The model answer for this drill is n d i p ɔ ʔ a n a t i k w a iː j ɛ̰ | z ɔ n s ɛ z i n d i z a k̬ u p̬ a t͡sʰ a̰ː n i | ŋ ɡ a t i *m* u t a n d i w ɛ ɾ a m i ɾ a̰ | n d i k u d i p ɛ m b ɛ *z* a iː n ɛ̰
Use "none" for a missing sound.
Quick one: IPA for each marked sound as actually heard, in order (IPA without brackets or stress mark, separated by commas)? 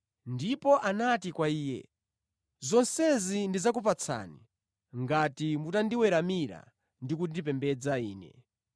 m, d͡z